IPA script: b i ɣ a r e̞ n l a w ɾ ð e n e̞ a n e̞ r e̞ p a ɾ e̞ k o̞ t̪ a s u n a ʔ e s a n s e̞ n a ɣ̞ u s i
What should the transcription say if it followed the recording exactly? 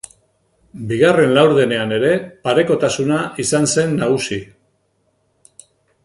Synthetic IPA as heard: b i ɣ a r e̞ n l a w ɾ ð e n e̞ a n e̞ ɾ e̞ p a ɾ e̞ k o̞ t̪ a s u n a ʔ i s a n s e̞ nː a ɣ̞ u s i